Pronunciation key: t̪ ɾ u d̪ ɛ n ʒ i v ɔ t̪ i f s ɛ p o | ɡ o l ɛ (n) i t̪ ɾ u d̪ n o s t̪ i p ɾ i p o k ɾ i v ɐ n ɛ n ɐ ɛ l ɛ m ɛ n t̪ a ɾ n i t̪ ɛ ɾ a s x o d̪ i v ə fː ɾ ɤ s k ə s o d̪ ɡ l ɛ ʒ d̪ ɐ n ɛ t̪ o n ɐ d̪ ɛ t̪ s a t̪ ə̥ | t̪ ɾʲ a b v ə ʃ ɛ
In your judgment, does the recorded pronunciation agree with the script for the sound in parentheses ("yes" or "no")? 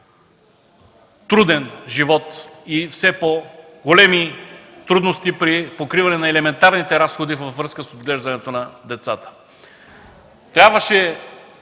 no